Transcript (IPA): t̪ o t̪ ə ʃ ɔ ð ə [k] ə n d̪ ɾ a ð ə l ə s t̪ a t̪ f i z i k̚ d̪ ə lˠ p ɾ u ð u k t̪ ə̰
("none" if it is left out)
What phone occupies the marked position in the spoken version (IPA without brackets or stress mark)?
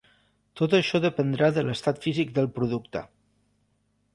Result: p